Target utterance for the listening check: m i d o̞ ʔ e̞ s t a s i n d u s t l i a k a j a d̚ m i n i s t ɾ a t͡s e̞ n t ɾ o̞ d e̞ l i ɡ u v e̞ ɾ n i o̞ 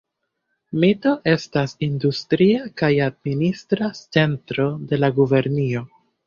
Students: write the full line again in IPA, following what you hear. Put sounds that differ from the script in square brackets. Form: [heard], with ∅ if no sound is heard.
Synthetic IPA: m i [t] o̞ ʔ e̞ s t a s i n d u s t [ɾ] i a k a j a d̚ m i n i s t ɾ a t͡s e̞ n t ɾ o̞ d e̞ l [a] ɡ u v e̞ ɾ n i o̞

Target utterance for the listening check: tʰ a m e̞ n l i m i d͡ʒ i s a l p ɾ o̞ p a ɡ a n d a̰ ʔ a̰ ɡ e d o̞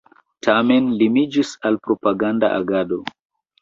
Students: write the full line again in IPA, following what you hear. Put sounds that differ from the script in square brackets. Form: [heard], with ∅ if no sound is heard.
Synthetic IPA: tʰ a m e̞ n l i m i d͡ʒ i s a l p ɾ o̞ p a ɡ a n d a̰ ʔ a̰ ɡ [a] d o̞

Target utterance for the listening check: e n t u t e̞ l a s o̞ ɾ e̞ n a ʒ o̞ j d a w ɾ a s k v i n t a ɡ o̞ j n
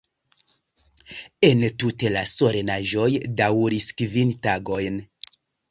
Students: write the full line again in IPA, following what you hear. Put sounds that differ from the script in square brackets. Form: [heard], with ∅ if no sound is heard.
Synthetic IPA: e n t u t e̞ l a s o̞ ɾ e̞ n a ʒ o̞ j d a w ɾ [i] s k v i n t a ɡ o̞ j n

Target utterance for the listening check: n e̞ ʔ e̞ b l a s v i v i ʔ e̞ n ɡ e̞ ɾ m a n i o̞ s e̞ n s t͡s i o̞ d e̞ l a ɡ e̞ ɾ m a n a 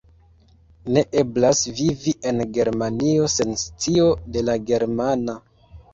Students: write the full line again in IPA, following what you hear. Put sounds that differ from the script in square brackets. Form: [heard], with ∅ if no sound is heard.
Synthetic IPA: n e̞ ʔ e̞ b l a s v i v i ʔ e̞ n ɡ e̞ ɾ m a n i o̞ s e̞ n s t͡s i o̞ d e̞ l a ɡ e̞ ɾ m a n a

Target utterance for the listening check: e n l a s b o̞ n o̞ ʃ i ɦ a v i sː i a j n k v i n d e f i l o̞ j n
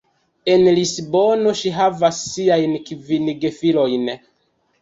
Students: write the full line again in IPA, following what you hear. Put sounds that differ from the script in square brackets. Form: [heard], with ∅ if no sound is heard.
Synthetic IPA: e n l [i] s b o̞ n o̞ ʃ i ɦ a v [a] sː i a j n k v i n [ɡ] e f i l o̞ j n

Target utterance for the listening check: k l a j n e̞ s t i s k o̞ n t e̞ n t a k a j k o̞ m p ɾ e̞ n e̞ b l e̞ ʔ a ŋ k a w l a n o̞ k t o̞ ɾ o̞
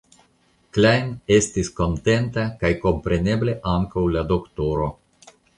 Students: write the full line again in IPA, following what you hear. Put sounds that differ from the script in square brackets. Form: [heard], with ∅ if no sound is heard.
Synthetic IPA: k l a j n e̞ s t i s k o̞ n t e̞ n t a k a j k o̞ m p ɾ e̞ n e̞ b l e̞ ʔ a ŋ k a w l a [d] o̞ k t o̞ ɾ o̞

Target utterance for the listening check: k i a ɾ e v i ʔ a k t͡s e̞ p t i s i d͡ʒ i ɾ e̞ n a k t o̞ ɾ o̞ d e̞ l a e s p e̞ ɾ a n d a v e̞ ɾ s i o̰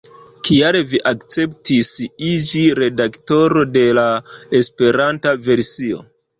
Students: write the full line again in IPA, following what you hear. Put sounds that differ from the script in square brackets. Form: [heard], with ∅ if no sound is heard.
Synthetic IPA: k i a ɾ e v i ʔ a k t͡s e̞ p t i s i d͡ʒ i ɾ e̞ [d] a k t o̞ ɾ o̞ d e̞ l a e s p e̞ ɾ a n [t] a v e̞ ɾ s i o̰

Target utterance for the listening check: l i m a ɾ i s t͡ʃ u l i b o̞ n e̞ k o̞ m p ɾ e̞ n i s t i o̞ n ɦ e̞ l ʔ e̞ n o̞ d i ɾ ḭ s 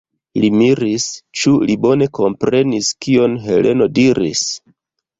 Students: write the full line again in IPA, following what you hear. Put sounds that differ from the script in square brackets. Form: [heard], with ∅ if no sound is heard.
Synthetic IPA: l i m [i] ɾ i s t͡ʃ u l i b o̞ n e̞ k o̞ m p ɾ e̞ n i s [k] i o̞ n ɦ e̞ l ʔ e̞ n o̞ d i ɾ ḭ s

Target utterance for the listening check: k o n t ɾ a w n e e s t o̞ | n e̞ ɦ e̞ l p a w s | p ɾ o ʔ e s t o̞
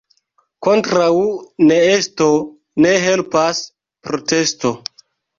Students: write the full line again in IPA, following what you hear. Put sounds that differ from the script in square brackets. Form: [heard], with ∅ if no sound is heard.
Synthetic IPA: k o n t ɾ a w n e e s t o̞ | n e̞ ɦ e̞ l p a [∅] s | p ɾ o [t] e s t o̞

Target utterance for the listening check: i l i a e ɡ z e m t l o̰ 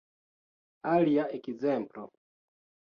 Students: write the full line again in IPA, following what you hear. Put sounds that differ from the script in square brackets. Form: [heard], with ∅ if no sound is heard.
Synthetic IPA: [a] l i a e [k] z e m [p] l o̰

